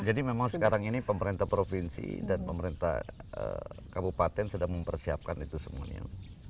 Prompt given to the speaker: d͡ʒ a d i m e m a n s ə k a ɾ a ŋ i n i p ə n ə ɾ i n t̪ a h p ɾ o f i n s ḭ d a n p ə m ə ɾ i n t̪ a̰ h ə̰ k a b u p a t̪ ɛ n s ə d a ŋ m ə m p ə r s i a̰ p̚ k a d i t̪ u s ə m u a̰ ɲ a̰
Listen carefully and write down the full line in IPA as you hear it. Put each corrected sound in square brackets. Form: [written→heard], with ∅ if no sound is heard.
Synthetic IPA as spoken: d͡ʒ a d i m e m a [n→ŋ] s ə k a ɾ a ŋ i n i p ə [n→m] ə ɾ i n t̪ a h p ɾ o f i n s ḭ d a n p ə m ə ɾ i n t̪ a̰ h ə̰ k a b u p a t̪ ɛ n s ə d a ŋ m ə m p ə r s i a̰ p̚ k a [d→n] i t̪ u s ə m u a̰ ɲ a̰